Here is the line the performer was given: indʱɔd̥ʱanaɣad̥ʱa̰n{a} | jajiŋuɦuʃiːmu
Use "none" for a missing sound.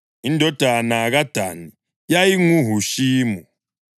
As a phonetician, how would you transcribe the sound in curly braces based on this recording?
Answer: i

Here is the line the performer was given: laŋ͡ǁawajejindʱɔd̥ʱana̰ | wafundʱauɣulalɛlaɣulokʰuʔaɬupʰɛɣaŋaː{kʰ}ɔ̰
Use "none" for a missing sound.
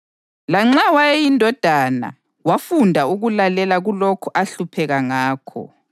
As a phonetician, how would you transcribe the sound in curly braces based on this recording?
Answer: kʰ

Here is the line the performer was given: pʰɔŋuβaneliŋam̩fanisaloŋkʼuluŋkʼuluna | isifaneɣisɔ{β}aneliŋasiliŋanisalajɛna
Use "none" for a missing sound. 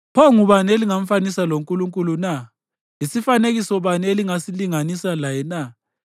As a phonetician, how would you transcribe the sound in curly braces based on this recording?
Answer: β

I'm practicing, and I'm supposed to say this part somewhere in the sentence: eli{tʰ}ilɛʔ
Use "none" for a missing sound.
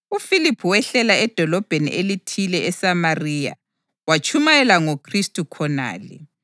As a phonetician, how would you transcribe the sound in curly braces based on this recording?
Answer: tʰ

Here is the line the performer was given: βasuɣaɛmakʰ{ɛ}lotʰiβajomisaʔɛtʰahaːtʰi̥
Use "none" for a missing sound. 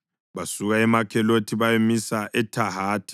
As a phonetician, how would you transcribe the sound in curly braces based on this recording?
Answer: ɛ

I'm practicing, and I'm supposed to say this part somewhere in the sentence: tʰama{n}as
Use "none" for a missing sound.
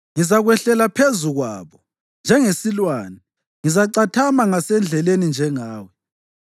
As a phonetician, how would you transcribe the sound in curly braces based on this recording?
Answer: ŋ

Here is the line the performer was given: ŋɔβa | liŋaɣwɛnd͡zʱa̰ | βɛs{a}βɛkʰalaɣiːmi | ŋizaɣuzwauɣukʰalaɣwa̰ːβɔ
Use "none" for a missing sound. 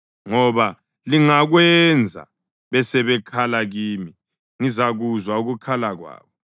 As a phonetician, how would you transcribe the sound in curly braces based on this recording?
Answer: ɛ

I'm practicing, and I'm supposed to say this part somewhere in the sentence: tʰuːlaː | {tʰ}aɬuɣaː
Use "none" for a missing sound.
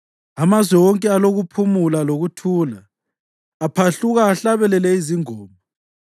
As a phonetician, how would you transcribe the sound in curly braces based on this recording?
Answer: pʰ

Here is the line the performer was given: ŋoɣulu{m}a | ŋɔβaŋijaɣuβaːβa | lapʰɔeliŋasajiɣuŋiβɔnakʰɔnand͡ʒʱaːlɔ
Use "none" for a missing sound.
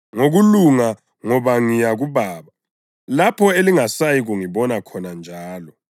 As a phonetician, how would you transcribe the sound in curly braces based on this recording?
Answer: ŋ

